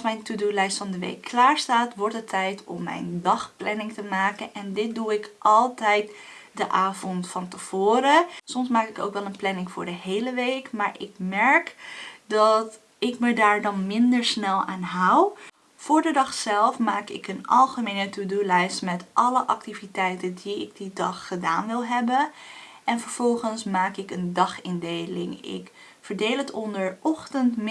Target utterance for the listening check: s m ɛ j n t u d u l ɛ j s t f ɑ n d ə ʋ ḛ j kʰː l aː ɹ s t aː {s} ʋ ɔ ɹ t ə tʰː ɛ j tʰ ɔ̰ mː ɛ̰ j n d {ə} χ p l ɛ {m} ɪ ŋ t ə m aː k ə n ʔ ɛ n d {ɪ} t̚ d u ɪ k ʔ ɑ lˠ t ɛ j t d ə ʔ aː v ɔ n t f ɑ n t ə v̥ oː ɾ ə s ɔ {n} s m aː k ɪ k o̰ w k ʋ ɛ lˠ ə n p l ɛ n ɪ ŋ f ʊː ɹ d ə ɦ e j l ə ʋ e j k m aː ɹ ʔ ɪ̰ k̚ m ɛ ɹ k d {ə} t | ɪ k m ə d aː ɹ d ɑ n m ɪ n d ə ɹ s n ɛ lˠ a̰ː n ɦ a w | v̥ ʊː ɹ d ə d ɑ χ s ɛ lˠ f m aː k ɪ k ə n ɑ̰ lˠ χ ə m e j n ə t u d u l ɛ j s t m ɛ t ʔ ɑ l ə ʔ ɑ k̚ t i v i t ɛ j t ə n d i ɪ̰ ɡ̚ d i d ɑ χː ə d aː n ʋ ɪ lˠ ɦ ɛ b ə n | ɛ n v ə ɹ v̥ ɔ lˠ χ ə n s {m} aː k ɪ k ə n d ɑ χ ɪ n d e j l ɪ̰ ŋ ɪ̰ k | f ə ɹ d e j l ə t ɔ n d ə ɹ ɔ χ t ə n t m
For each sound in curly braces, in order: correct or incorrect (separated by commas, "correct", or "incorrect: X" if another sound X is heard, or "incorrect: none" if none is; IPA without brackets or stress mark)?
incorrect: t, incorrect: ɑ, incorrect: n, correct, incorrect: m, incorrect: ɑ, correct